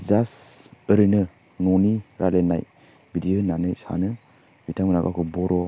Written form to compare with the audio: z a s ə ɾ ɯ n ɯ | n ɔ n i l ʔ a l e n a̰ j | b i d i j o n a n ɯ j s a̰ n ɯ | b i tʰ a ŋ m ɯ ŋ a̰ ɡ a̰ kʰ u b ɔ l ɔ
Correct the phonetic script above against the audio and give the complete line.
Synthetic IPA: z a s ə ɾ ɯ n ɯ | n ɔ n i ɾ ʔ a l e n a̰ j | b i d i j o n a n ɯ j s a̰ n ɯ | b i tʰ a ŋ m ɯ n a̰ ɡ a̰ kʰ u b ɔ ɾ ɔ